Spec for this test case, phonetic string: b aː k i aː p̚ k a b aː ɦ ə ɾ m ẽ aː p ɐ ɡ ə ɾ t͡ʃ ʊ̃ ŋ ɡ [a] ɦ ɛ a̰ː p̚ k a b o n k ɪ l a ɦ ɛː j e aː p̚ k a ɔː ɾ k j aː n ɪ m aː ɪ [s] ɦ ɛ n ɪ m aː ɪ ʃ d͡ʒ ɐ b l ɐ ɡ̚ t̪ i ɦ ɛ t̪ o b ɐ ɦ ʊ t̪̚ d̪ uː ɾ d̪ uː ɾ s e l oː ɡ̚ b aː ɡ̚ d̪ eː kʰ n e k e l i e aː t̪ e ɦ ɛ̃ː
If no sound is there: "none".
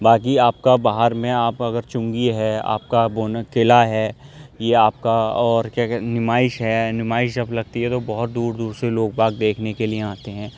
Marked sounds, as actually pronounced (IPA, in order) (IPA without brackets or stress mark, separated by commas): i, ʃ